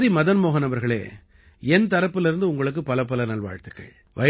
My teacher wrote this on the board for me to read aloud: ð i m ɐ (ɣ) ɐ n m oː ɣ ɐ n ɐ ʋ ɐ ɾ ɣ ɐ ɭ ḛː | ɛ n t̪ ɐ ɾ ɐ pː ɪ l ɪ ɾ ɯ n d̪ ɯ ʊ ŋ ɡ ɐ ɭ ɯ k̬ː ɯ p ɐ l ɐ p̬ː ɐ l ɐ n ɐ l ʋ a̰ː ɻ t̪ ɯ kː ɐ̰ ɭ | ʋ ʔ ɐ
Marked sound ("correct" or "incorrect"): incorrect